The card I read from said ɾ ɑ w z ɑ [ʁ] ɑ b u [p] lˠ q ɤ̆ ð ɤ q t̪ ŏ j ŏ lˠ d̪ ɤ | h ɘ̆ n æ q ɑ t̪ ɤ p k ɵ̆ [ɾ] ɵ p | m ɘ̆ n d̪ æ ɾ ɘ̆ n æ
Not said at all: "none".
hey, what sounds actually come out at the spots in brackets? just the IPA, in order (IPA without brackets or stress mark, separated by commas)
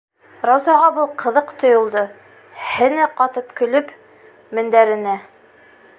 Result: ʁ, none, l